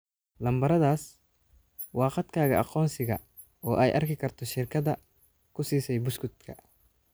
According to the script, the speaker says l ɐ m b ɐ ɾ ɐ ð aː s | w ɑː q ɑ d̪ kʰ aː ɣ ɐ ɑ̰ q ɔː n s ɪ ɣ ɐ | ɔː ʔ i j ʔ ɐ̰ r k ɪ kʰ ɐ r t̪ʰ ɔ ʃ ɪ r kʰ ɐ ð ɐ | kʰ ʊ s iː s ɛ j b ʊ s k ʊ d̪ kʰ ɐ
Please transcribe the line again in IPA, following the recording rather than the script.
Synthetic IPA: l ɐ m b ɐ ɾ ɐ ð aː s | w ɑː q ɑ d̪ kʰ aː ɣ ɐ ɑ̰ q ɔː n s ɪ ɣ ɐ | ɔː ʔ ɛ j ʔ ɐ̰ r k ɪ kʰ ɐ r t̪ʰ ɔ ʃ ɪ r kʰ ɐ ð ɐ | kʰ ʊ s iː s ɛ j b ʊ s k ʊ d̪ kʰ ɐ